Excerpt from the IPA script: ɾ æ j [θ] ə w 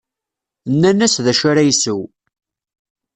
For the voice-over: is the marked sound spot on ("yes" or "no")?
no